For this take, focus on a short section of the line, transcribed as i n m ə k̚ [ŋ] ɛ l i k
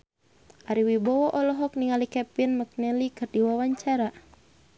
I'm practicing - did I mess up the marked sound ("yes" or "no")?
yes